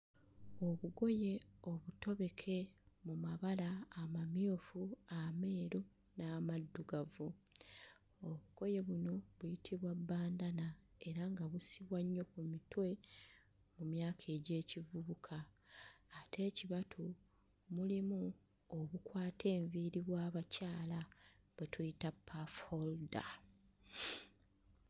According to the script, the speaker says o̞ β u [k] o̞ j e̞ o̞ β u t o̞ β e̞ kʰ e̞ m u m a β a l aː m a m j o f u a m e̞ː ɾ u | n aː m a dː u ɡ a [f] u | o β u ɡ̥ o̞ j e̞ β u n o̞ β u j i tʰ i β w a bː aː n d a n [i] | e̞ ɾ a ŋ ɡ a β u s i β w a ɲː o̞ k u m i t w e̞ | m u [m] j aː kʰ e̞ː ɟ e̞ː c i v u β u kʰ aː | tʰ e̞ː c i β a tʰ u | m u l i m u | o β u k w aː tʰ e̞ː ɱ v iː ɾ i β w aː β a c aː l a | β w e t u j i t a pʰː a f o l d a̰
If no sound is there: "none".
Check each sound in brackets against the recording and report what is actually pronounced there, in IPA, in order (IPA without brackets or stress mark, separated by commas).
ɡ, v, a, m